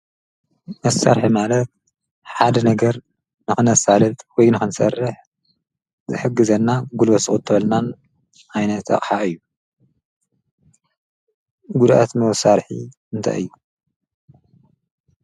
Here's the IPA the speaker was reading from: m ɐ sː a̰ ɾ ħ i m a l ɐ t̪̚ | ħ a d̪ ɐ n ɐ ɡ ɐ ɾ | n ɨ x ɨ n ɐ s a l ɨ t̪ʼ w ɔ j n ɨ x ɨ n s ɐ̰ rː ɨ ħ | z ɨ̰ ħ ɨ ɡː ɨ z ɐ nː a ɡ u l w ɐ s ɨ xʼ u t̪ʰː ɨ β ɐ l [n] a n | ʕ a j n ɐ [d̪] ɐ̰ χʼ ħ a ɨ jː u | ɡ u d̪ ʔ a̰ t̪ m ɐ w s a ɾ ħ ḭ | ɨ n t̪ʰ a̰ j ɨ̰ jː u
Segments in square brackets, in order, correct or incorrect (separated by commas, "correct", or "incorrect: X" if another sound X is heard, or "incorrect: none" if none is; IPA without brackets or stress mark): correct, incorrect: t̪